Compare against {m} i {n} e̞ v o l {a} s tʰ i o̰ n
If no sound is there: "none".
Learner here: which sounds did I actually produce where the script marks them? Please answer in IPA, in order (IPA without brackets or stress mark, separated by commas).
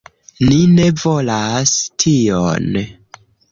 n, n, a